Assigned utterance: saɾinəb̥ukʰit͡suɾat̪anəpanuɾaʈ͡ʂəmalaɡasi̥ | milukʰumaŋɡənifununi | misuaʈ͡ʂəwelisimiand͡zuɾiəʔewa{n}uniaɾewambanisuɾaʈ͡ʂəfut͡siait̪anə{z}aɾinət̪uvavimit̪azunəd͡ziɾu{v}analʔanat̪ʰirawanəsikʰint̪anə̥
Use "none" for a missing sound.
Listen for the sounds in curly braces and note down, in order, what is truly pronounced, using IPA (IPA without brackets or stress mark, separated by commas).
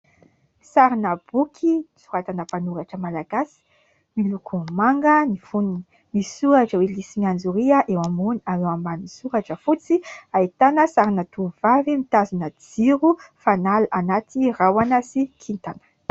m, s, f